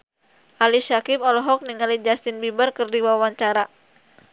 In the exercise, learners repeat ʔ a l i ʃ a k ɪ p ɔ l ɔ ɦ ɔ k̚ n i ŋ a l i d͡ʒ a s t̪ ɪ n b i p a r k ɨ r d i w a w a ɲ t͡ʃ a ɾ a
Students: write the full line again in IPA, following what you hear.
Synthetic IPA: ʔ a l i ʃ a k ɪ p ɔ l ɔ ɦ ɔ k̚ n i ŋ a l i d͡ʒ a s t̪ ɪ n b i b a r k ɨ r d i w a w a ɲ t͡ʃ a ɾ a